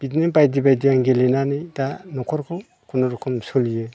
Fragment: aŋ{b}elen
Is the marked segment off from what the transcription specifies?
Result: yes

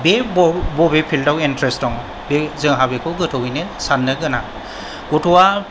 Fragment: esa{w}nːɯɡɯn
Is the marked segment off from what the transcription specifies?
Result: yes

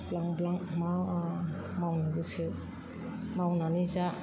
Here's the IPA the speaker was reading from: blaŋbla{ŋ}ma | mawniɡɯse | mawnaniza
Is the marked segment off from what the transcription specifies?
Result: no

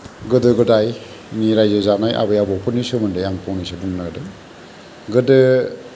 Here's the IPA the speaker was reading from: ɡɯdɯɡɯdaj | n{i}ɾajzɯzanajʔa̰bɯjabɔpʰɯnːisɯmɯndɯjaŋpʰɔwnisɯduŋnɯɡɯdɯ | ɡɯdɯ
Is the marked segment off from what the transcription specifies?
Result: no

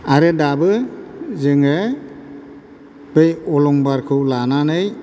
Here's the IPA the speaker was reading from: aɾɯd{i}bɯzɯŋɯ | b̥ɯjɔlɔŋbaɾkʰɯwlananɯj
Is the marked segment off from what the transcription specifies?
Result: yes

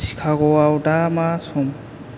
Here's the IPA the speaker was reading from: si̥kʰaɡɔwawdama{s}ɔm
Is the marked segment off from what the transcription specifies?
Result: no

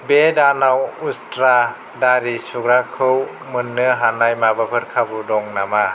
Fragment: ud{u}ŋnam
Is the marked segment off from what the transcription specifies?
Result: yes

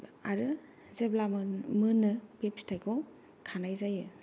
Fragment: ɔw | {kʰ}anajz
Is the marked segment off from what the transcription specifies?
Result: no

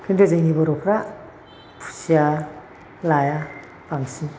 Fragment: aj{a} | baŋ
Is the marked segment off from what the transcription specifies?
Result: no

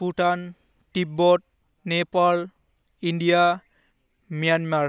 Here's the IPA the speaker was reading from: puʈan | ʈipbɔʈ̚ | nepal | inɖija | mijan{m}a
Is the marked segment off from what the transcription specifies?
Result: no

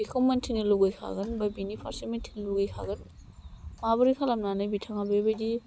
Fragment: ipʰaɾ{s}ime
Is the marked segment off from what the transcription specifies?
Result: no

